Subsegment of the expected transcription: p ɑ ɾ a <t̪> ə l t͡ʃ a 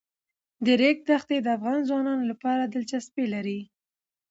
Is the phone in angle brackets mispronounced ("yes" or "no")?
yes